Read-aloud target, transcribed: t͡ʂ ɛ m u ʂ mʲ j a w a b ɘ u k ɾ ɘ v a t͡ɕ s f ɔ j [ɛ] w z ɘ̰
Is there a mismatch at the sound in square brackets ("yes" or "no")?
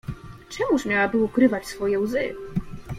no